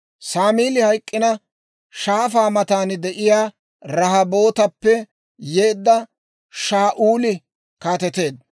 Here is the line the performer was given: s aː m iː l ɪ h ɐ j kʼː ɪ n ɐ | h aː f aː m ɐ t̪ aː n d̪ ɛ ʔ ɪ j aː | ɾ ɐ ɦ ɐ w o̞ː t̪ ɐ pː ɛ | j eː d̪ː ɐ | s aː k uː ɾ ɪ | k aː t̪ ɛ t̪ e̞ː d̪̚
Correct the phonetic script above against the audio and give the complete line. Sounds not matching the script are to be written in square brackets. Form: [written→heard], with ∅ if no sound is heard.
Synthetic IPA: s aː m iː l ɪ h ɐ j kʼː ɪ n ɐ | [h→ʃ] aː f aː m ɐ t̪ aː n d̪ ɛ ʔ ɪ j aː | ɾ ɐ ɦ ɐ [w→b] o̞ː t̪ ɐ pː ɛ | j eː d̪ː ɐ | [s→ʃ] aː [k→ʔ] uː [ɾ→l] ɪ | k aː t̪ ɛ t̪ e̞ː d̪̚